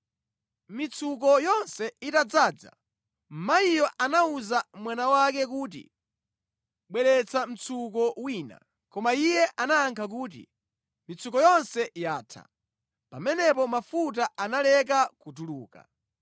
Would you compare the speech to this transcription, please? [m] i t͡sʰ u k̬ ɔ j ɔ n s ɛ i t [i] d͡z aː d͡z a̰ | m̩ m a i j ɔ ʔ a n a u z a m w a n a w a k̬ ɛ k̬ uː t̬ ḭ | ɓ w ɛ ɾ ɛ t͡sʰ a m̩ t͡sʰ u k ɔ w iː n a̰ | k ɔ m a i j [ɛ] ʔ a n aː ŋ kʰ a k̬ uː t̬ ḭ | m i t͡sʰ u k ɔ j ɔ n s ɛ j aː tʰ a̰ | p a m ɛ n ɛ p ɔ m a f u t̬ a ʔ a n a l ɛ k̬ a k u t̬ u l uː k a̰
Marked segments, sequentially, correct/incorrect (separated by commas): correct, incorrect, correct